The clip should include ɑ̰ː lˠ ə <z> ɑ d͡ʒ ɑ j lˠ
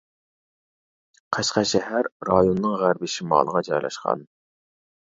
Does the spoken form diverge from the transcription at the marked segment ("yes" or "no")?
yes